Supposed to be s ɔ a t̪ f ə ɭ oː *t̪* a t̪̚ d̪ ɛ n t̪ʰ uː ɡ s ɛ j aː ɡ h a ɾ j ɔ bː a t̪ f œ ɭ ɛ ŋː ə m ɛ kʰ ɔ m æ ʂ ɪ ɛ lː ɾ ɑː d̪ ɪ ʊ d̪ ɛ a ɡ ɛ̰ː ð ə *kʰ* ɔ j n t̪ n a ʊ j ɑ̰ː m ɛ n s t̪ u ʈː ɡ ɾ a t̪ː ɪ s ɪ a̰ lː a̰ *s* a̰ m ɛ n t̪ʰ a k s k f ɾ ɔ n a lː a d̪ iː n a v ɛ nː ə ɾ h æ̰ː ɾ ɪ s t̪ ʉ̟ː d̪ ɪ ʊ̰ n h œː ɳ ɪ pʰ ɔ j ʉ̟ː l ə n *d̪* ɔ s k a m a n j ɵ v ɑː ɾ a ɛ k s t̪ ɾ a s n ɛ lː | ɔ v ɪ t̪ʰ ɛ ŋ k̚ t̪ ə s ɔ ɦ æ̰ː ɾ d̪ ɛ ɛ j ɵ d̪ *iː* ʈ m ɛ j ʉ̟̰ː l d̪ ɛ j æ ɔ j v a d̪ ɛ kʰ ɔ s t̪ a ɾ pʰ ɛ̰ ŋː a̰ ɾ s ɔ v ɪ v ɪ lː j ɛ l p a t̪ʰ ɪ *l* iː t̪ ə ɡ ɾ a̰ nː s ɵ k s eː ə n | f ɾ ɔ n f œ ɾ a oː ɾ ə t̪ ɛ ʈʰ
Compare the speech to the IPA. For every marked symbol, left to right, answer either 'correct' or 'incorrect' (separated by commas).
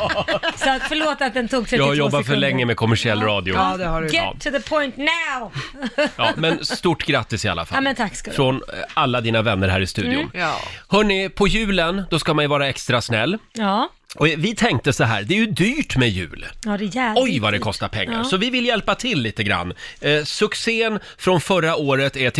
correct, incorrect, incorrect, correct, incorrect, incorrect